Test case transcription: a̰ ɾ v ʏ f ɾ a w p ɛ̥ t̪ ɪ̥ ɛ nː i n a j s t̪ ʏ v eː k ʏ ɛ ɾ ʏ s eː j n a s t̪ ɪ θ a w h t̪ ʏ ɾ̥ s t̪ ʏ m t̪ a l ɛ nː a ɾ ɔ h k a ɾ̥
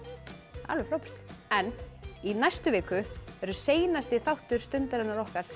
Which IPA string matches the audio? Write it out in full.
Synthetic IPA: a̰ l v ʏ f ɾ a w p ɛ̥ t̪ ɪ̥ ɛ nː i n a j s t̪ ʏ v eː k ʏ ɛ ɾ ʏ s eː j n a s t̪ ɪ θ a w h t̪ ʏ ɾ̥ s t̪ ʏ n t̪ a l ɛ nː a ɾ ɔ h k a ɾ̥